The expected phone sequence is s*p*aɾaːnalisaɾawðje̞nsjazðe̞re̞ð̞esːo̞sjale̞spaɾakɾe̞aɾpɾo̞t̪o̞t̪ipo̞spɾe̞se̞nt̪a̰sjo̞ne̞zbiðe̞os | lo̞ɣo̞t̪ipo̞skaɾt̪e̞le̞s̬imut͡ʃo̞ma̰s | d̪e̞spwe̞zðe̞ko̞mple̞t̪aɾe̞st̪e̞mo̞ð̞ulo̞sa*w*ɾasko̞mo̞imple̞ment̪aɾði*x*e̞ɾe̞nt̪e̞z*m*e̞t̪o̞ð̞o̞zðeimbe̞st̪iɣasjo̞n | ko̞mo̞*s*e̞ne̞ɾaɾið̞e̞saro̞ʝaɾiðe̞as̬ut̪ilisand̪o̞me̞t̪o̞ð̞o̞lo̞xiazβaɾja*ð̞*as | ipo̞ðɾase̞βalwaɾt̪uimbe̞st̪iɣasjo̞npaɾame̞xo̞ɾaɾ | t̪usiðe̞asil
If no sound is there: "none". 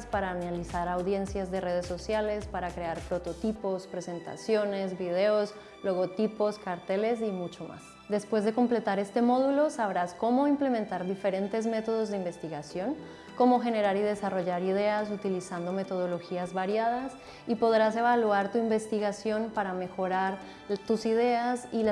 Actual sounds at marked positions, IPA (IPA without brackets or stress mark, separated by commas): p, β, f, m, x, ð̞